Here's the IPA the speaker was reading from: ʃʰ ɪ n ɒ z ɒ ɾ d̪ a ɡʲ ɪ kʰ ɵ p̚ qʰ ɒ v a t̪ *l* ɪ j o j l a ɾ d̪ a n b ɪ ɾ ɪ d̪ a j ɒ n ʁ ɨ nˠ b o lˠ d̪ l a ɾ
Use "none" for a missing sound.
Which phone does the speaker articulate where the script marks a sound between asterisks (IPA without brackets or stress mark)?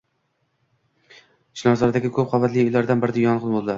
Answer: l